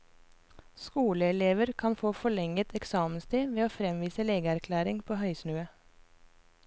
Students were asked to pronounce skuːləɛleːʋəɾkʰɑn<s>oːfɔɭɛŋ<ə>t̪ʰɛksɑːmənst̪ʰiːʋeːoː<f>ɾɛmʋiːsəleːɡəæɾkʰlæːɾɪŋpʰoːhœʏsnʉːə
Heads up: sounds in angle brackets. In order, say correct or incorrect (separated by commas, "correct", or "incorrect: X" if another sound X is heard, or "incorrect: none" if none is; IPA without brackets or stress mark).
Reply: incorrect: f, correct, correct